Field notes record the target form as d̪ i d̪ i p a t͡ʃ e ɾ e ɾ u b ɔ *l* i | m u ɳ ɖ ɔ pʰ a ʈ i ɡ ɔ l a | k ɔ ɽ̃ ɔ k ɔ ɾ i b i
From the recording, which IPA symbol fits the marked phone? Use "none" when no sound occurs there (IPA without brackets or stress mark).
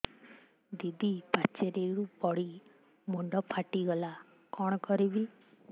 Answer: ɽ